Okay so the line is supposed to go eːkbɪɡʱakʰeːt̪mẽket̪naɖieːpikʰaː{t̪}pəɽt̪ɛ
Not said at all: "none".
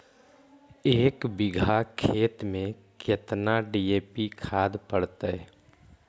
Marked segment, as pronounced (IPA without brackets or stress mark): d̪